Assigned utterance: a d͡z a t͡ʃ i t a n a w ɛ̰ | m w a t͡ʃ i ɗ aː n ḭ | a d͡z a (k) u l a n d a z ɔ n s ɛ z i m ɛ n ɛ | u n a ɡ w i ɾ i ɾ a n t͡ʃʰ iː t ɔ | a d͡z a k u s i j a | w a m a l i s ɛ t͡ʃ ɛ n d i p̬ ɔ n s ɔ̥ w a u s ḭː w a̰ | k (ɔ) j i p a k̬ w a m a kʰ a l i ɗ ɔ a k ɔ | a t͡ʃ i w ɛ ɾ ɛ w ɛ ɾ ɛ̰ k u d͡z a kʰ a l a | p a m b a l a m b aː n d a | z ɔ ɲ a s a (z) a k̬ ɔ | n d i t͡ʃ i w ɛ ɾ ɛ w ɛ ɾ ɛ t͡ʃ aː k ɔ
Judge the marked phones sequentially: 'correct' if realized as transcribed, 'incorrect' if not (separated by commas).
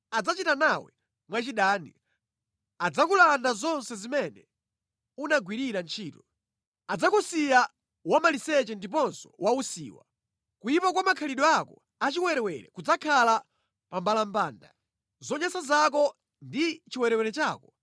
correct, incorrect, correct